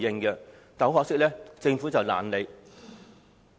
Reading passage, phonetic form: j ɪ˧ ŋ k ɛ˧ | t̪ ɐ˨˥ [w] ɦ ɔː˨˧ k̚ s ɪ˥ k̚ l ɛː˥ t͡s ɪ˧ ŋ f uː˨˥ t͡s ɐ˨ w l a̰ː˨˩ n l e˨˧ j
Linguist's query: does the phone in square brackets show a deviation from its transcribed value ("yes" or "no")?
no